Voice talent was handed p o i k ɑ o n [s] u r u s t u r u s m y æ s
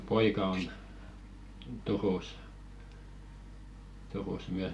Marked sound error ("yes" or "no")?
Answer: yes